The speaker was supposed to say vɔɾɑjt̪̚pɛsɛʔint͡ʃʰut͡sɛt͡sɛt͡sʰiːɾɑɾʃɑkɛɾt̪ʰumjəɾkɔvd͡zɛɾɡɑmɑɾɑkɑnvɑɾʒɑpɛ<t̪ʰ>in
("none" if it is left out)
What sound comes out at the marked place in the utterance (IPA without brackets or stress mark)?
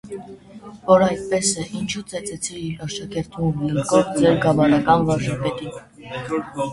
t̪